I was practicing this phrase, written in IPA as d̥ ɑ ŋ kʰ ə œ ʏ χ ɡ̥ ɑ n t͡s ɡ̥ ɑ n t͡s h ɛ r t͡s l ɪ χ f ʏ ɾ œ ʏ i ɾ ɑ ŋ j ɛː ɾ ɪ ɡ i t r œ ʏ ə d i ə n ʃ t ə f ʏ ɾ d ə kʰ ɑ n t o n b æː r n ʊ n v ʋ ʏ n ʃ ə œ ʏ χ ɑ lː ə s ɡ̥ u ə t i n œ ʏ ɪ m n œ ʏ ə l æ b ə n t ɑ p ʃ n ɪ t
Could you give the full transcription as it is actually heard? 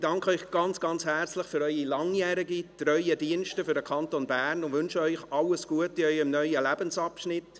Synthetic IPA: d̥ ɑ ŋ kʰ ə œ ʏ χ ɡ̥ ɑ n t͡s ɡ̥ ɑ n t͡s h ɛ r t͡s l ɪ χ f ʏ ɾ œ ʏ i l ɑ ŋ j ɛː ɾ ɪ ɡ i t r œ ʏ ə d i ə n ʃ t ə f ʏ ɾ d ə kʰ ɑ n t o n b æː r n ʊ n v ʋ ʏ n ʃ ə œ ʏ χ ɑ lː ə s ɡ̥ u ə t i œ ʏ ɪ m n œ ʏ ə l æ b ə n s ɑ p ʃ n ɪ t